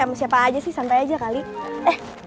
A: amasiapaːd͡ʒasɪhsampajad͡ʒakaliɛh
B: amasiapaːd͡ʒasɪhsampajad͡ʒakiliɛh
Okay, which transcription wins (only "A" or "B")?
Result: A